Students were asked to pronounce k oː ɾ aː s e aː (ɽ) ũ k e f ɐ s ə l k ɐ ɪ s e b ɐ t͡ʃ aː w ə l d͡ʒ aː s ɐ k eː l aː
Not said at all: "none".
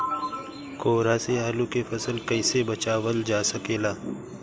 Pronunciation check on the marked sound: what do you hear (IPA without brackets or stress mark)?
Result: l